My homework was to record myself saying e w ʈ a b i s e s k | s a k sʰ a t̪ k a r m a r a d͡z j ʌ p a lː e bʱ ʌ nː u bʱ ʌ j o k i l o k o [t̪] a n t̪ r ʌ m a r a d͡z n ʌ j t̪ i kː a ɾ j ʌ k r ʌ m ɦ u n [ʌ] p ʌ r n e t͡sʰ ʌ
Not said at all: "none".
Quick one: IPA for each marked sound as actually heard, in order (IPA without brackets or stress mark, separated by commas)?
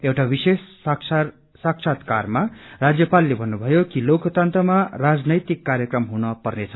t̪, ʌ